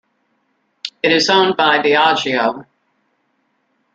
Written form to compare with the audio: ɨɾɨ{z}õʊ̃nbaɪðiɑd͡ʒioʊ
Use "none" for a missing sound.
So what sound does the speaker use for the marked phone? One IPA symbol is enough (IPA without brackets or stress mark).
z